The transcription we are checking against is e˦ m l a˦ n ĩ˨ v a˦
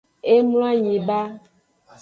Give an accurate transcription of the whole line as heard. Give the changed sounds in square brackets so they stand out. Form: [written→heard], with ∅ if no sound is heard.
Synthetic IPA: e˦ m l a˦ [n→ɲ] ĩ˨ [v→b] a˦